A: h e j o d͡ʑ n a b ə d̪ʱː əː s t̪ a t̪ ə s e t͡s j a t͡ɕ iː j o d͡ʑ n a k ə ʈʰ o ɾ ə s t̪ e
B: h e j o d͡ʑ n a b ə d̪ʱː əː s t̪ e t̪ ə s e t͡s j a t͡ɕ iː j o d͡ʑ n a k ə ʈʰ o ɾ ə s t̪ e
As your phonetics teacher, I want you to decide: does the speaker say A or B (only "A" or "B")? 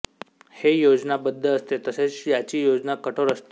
B